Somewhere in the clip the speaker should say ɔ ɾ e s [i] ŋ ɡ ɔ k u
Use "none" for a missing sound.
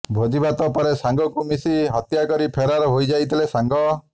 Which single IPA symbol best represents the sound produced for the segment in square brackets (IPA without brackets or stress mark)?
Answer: a